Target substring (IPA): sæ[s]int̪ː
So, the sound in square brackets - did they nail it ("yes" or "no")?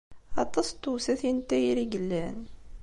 no